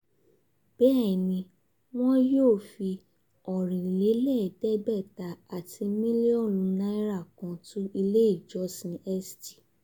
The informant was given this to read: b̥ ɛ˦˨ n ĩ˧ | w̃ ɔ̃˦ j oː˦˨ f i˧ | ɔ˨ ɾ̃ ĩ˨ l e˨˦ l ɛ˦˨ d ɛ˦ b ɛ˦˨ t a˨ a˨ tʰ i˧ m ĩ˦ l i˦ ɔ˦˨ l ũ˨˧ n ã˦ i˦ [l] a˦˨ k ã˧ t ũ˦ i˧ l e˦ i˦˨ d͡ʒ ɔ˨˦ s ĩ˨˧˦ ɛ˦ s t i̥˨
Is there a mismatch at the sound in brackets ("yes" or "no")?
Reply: yes